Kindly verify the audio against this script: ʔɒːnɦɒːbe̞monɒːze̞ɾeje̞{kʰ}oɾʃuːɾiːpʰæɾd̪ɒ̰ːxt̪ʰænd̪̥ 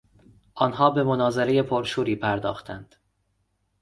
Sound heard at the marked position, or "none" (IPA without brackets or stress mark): pʰ